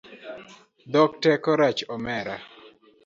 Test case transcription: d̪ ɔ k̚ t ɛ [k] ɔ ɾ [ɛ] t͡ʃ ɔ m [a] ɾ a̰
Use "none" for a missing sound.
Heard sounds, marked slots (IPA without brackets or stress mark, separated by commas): k, a, ɛ